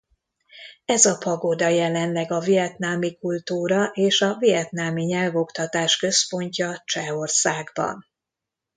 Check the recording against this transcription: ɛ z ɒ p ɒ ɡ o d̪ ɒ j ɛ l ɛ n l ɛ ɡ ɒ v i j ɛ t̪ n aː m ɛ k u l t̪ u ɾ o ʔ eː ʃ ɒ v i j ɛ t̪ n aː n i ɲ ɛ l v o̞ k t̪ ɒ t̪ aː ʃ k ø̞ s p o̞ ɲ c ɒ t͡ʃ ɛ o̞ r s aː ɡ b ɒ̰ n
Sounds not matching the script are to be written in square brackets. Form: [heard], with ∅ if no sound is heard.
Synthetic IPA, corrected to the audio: ɛ z ɒ p ɒ ɡ o d̪ ɒ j ɛ l ɛ n l ɛ ɡ ɒ v i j ɛ t̪ n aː m [i] k u l t̪ [uː] ɾ [ɒ] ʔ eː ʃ ɒ v i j ɛ t̪ n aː [m] i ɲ ɛ l v o̞ k t̪ ɒ t̪ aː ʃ k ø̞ s p o̞ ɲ c ɒ t͡ʃ ɛ o̞ r s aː ɡ b ɒ̰ n